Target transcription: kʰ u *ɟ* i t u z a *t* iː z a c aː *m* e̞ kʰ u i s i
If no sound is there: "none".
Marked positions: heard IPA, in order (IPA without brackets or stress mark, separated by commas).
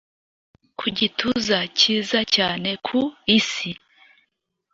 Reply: ɟ, c, n